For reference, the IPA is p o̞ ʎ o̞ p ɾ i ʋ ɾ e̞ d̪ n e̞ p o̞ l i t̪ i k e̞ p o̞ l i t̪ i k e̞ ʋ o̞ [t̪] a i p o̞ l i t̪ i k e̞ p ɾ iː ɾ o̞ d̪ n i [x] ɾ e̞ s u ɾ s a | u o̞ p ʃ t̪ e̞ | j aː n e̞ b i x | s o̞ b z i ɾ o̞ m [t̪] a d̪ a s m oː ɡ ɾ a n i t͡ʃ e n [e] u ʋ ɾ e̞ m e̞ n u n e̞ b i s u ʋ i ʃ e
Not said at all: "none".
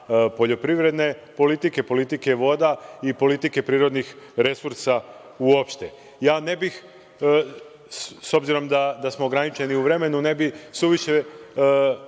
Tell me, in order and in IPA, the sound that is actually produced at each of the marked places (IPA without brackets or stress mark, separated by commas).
d̪, x, d̪, i